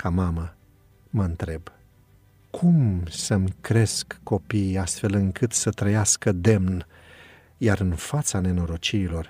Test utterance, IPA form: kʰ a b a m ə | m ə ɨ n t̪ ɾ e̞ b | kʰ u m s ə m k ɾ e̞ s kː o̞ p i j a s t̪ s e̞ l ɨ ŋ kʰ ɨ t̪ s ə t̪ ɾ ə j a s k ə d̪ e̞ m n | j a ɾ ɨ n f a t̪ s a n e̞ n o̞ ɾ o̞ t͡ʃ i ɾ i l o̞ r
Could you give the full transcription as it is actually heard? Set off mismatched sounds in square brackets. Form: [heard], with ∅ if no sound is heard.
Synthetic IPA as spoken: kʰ a [m] a m ə | m ə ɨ n t̪ ɾ e̞ b | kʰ u m s ə m k ɾ e̞ s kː o̞ p i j a s t̪ [f] e̞ l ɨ ŋ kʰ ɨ t̪ s ə t̪ ɾ ə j a s k ə d̪ e̞ m n | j a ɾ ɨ n f a t̪ s a n e̞ n o̞ ɾ o̞ t͡ʃ i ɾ i l o̞ r